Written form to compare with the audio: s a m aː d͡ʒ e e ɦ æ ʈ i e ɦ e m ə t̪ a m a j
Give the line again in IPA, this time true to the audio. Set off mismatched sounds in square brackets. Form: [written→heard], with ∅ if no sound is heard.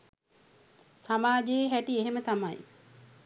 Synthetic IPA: s a m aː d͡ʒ e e ɦ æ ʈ i e ɦ e m ə t̪ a m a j